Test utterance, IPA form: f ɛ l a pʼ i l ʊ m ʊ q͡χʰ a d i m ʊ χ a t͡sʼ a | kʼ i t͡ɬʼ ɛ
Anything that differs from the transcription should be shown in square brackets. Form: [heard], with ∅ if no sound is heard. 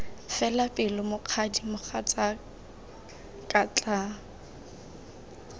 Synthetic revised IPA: f ɛ l a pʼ [ɪ] l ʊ m ʊ q͡χʰ a d i m ʊ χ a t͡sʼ a | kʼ [a] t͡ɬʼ [a]